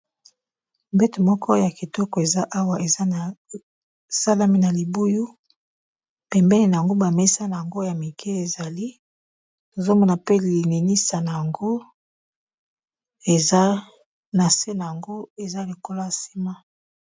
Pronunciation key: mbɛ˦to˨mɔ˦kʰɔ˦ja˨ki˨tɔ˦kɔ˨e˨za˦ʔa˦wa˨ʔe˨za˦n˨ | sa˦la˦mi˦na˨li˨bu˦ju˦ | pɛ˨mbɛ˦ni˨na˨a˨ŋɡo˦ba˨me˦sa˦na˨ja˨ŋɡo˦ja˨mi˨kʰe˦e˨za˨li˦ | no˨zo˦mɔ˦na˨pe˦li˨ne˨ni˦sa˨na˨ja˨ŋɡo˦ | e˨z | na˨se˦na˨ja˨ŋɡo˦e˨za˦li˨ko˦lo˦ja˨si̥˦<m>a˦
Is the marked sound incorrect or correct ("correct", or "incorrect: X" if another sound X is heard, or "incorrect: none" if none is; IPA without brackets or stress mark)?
correct